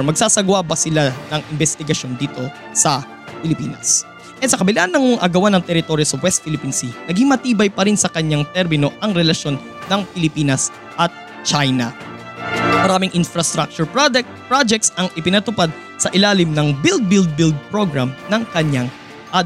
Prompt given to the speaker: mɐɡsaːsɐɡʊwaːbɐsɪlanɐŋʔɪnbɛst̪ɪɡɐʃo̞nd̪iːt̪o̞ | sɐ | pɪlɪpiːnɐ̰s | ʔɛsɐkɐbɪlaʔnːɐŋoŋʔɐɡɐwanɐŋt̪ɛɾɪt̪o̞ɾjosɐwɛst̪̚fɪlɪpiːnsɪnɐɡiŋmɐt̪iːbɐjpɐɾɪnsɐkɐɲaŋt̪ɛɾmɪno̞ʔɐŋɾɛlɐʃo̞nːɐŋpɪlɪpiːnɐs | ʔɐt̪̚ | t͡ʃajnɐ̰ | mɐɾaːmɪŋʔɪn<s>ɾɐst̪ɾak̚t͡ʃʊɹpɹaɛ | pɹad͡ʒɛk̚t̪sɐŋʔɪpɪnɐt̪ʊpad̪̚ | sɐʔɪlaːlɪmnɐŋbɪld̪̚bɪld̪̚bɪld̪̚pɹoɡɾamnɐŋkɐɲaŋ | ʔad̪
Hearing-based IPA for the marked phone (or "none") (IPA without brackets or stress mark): f